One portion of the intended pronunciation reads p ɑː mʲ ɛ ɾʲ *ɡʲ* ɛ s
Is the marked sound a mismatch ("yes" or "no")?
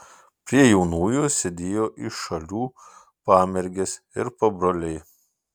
no